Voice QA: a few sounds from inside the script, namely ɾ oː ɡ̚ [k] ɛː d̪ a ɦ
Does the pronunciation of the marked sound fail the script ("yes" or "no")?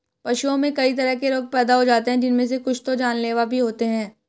yes